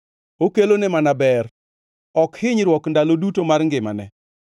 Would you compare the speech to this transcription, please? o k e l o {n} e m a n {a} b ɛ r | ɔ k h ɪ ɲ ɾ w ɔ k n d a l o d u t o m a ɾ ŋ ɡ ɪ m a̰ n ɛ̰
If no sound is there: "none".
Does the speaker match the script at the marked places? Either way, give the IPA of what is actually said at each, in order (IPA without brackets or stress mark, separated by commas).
n, a